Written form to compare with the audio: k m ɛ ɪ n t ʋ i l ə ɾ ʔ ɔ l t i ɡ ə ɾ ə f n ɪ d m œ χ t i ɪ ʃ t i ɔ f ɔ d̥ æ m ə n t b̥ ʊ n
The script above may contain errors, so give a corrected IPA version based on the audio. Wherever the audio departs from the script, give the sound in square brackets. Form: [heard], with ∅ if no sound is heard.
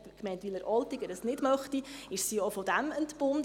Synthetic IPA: k m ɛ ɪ n t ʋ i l ə ɾ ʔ ɔ l t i ɡ ə ɾ ə [s] n ɪ d m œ χ t i ɪ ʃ [s] i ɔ f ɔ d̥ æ m ə n t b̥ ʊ n

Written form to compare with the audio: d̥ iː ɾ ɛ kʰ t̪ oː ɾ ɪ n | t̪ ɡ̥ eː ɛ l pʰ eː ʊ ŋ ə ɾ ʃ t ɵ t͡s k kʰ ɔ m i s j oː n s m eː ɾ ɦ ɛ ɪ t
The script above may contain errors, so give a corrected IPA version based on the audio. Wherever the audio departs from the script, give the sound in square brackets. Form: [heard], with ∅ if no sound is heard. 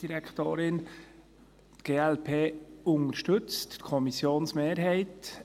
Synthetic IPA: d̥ [i] ɾ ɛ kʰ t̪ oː ɾ ɪ n | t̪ ɡ̥ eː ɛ l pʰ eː ʊ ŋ ə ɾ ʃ t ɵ t͡s [t] kʰ ɔ m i s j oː n s m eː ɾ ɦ ɛ ɪ t

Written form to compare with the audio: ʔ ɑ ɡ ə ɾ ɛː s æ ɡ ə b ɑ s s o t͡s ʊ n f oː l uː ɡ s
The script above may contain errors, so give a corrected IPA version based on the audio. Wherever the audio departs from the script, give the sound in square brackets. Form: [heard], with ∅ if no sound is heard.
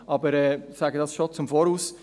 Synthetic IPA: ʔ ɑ [b] ə ɾ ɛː s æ ɡ ə [d] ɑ s [ʃ] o t͡s ʊ [m] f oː [ɾ] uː [∅] s

